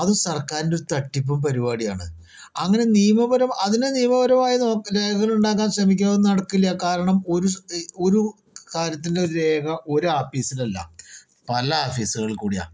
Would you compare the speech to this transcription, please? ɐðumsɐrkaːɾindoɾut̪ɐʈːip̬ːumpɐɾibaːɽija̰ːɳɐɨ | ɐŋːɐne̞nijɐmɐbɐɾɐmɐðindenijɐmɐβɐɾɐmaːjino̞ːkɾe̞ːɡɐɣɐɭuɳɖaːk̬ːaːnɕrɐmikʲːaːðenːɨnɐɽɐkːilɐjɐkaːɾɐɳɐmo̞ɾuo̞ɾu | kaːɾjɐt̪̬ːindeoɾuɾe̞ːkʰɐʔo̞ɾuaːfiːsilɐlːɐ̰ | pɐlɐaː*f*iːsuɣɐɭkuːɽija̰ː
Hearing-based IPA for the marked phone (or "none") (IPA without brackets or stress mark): f